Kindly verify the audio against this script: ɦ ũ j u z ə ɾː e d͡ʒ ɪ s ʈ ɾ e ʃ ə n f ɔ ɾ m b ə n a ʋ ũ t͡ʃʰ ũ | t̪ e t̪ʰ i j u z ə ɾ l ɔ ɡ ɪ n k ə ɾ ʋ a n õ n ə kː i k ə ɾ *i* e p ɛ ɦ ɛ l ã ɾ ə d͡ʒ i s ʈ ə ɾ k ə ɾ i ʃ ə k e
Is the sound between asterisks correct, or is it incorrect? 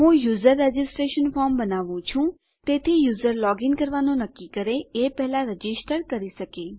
incorrect